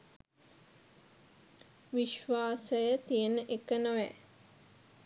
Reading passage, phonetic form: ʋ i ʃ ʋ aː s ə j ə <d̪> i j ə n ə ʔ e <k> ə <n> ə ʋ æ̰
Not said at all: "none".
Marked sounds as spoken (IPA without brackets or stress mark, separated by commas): t̪, k, n